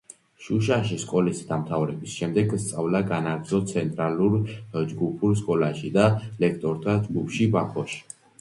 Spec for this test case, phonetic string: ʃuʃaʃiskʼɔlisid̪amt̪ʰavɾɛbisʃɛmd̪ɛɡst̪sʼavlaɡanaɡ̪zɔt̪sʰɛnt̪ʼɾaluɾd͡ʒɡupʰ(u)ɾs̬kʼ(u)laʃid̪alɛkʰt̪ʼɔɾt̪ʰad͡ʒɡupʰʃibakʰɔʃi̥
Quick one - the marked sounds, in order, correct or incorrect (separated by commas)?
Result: correct, incorrect